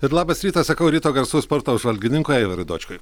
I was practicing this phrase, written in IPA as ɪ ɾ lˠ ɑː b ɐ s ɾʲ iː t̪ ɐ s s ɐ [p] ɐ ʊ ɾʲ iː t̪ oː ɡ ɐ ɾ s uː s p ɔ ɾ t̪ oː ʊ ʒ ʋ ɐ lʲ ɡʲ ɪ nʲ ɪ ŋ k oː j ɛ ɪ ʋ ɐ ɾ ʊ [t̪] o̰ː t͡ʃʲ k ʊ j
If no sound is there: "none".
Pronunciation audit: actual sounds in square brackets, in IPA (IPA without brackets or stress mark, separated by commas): k, d̪